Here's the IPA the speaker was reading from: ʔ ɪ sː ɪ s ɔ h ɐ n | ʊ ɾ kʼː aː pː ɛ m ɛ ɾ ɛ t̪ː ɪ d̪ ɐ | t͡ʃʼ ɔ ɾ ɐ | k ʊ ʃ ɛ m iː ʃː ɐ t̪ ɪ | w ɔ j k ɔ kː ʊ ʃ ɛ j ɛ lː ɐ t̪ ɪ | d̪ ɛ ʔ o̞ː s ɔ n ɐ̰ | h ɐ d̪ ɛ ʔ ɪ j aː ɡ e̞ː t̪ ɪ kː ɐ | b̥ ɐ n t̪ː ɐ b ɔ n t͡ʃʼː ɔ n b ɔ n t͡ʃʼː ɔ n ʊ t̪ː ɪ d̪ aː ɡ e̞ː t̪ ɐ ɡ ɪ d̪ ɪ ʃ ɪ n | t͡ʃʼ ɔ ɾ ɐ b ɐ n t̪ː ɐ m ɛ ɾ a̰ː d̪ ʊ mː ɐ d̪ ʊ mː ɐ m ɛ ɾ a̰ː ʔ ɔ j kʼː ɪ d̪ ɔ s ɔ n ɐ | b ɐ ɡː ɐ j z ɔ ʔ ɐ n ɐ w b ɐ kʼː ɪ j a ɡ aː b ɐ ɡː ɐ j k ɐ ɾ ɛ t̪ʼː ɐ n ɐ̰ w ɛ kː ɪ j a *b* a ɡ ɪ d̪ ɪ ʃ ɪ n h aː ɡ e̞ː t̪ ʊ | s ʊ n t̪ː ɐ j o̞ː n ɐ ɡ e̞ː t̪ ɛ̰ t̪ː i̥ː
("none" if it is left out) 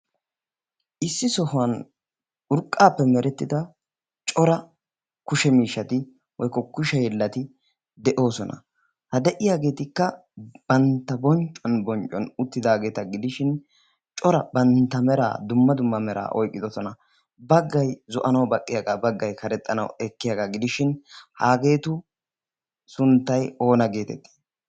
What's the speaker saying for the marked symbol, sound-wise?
ɡ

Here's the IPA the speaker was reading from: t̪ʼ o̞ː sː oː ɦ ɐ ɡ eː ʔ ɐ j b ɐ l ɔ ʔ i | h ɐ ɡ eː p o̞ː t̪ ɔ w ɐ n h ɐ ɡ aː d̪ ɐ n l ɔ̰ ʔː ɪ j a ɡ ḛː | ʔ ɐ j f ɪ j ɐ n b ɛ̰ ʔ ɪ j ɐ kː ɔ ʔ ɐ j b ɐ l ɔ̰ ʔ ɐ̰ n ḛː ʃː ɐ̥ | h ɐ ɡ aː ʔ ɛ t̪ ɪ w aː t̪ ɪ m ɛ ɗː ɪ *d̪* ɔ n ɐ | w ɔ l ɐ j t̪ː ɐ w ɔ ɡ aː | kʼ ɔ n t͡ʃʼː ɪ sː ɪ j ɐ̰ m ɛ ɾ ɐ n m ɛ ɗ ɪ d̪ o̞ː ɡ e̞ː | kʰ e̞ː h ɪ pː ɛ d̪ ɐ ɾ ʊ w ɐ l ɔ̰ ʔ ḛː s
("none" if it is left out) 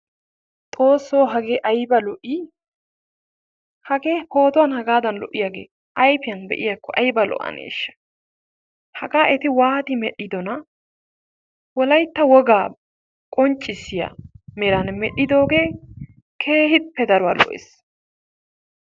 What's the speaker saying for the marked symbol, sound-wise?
d̪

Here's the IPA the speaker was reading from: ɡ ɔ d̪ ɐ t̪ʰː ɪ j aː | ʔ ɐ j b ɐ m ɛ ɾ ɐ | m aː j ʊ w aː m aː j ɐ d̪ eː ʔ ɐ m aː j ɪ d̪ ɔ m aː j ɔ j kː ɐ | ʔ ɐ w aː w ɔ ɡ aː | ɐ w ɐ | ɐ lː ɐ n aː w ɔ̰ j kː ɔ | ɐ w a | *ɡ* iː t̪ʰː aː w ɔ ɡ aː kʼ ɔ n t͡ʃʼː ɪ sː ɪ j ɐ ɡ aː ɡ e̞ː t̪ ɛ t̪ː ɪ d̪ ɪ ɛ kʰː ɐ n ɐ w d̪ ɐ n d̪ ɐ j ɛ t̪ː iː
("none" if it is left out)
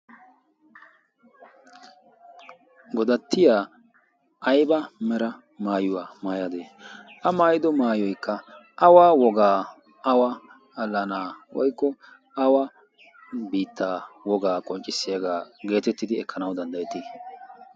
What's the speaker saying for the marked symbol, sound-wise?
b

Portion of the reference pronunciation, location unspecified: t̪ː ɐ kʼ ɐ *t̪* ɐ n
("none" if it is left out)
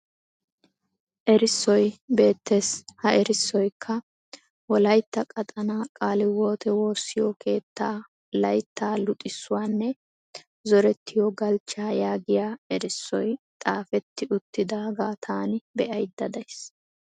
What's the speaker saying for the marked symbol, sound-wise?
t̪ʼ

